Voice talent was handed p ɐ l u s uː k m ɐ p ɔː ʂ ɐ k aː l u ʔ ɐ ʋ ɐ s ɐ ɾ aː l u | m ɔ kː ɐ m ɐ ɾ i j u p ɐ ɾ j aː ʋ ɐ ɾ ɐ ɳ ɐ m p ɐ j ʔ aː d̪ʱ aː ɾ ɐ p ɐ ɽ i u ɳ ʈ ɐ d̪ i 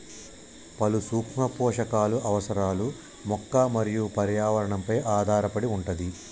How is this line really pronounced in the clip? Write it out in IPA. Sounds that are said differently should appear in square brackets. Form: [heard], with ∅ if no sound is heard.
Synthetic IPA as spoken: p ɐ l u s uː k m ɐ p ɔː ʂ ɐ k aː l u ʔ ɐ ʋ ɐ s ɐ ɾ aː l u | m ɔ kː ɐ m ɐ ɾ i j u p ɐ ɾ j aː ʋ ɐ ɾ ɐ ɳ ɐ m p ɐ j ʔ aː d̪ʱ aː ɾ ɐ p ɐ ɽ i u ɳ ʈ ɐ d̪ i